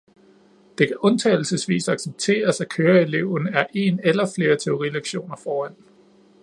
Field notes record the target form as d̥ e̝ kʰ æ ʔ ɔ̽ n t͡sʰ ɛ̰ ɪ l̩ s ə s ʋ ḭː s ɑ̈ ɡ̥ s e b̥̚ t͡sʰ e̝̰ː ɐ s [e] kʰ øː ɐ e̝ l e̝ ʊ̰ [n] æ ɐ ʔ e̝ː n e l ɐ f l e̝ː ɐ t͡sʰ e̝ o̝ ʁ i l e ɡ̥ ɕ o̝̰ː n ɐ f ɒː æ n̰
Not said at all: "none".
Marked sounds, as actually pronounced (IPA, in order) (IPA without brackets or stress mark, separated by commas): æ, n